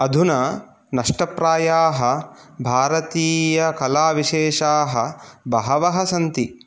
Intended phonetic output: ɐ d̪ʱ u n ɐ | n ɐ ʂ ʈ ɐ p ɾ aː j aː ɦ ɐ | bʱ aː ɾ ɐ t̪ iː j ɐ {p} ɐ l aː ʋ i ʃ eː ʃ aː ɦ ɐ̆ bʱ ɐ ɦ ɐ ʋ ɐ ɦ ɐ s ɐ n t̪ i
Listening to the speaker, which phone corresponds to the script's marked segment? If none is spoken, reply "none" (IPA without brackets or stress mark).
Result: k